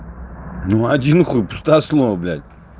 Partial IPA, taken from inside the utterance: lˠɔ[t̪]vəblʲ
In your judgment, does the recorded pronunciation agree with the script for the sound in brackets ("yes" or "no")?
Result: no